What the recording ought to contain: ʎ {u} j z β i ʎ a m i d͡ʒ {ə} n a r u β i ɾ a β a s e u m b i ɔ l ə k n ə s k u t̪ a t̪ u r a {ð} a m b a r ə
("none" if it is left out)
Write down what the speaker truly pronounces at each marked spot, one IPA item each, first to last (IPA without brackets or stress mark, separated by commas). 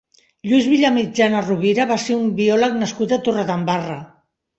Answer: u, a, ð